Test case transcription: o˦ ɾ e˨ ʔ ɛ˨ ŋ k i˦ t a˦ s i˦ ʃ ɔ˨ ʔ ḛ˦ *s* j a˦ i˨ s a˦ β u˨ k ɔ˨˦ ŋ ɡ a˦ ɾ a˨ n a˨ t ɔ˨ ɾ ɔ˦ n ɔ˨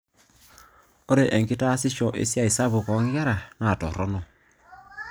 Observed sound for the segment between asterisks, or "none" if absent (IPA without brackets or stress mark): s